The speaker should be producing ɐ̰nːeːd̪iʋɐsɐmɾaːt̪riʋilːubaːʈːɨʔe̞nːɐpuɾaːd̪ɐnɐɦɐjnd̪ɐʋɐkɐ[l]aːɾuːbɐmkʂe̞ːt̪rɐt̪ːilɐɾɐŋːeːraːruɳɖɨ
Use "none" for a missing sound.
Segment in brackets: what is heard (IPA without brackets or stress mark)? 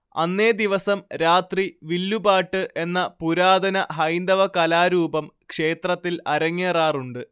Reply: l